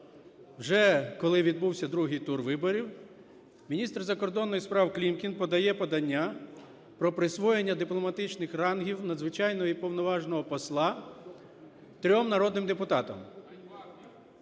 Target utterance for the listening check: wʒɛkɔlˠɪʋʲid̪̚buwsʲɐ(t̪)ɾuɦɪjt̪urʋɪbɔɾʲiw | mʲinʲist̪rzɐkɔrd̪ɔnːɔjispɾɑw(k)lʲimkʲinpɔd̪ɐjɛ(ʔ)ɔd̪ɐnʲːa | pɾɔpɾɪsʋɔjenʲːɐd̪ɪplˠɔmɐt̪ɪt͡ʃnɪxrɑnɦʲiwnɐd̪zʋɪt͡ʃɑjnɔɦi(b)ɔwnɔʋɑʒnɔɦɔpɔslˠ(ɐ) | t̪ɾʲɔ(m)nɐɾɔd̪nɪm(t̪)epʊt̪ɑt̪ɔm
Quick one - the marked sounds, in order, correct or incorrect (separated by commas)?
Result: incorrect, correct, incorrect, incorrect, incorrect, correct, incorrect